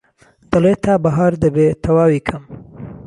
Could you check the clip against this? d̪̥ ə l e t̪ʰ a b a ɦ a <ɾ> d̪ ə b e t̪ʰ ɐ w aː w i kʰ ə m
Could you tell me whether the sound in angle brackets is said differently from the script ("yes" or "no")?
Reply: no